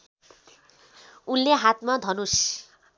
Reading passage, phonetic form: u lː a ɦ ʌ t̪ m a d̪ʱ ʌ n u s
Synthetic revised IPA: u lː e ɦ a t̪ m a d̪ʱ ʌ n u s